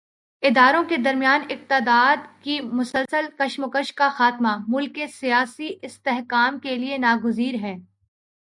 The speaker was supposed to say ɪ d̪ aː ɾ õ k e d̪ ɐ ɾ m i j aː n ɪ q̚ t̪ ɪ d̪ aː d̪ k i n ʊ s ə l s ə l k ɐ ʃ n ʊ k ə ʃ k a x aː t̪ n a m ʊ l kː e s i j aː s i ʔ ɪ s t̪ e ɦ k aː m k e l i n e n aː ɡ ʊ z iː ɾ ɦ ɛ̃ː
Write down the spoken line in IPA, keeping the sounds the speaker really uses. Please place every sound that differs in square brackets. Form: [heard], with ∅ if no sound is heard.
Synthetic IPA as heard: ɪ d̪ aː ɾ õ k e d̪ ɐ ɾ m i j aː n ɪ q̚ t̪ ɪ d̪ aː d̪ k i [m] ʊ s ə l s ə l k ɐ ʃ [m] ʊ k ə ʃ k a x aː t̪ [m] a m ʊ l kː e s i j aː s i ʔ ɪ s t̪ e ɦ k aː m k e l i [∅] e n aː ɡ ʊ z iː ɾ ɦ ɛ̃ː

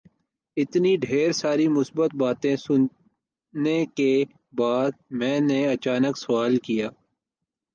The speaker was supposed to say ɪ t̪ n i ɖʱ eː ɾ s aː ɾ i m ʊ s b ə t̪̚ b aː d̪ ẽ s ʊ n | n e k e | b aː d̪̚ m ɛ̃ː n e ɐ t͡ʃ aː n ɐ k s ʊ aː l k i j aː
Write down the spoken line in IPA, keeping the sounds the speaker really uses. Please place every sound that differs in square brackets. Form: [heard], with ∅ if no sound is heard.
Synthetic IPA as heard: ɪ t̪ n i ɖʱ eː ɾ s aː ɾ i m ʊ s b ə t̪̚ b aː [t̪] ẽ s ʊ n | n e k e | b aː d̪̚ m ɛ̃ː n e ɐ t͡ʃ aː n [ə] k s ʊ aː l k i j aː

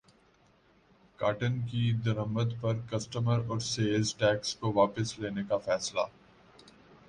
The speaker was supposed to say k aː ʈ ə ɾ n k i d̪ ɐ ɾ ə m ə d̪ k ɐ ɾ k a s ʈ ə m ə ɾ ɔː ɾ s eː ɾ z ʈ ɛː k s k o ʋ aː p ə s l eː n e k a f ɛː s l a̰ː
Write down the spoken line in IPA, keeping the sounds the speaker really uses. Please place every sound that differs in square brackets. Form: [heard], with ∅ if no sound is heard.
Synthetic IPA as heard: k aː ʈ ə [∅] n k i d̪ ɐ ɾ ə m ə d̪ [p] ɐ ɾ k [ɐ] s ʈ ə m ə ɾ ɔː ɾ s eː [l] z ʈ ɛː k s k o ʋ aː p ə s l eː n e k a f ɛː s l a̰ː

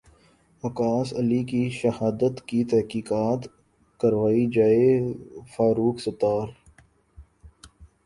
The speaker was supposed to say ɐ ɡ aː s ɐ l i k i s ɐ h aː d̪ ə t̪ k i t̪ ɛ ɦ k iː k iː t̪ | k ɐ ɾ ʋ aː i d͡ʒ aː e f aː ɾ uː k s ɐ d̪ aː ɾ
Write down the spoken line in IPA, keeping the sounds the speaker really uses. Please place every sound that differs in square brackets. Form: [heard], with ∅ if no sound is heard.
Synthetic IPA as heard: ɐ [k] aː s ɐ l i k i [ʃ] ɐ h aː d̪ ə t̪ k i t̪ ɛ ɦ k iː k [aː] t̪ | k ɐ ɾ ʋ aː i d͡ʒ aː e f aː ɾ uː k s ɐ [t̪] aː ɾ

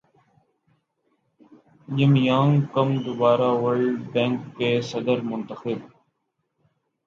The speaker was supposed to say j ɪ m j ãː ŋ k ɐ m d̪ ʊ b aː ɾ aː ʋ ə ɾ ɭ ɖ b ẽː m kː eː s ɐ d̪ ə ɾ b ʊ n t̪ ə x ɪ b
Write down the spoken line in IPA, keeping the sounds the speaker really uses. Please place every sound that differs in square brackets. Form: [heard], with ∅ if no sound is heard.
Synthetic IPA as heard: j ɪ m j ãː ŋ k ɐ m d̪ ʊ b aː ɾ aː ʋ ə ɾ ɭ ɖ b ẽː [ŋ] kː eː s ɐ d̪ ə ɾ [m] ʊ n t̪ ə x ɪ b

